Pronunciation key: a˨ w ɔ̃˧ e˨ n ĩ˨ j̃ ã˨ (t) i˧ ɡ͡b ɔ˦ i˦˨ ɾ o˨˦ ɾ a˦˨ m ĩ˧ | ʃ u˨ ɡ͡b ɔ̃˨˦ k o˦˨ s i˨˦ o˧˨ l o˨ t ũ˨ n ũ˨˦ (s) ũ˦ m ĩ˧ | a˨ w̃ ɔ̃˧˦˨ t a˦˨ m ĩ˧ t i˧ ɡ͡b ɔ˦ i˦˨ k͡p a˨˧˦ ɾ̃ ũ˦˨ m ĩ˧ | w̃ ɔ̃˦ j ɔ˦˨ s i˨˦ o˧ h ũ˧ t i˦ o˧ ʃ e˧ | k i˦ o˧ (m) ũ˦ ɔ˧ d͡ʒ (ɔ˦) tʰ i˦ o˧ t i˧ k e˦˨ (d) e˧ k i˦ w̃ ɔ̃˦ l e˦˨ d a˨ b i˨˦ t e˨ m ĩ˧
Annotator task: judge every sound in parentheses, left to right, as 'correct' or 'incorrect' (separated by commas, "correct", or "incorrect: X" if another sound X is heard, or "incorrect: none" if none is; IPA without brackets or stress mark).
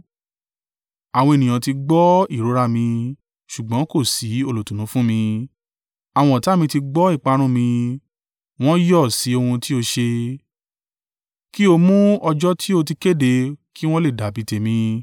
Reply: correct, incorrect: f, correct, correct, correct